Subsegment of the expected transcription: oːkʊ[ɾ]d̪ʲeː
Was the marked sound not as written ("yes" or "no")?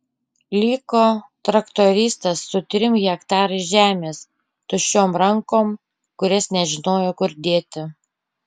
no